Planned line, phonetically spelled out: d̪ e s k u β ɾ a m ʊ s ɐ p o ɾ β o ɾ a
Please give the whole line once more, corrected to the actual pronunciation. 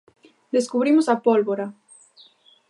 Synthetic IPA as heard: d̪ e s k u β ɾ i m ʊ s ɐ p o l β o ɾ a